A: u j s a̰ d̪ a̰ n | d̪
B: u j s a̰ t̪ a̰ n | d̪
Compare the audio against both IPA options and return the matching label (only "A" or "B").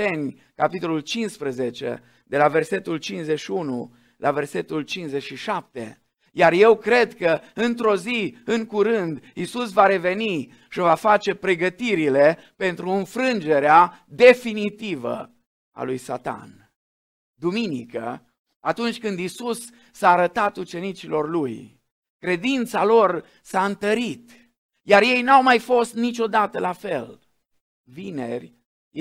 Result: B